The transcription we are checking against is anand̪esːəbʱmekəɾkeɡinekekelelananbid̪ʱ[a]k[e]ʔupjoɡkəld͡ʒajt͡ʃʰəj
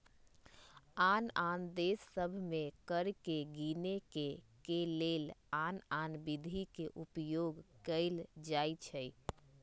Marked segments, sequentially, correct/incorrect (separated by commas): incorrect, correct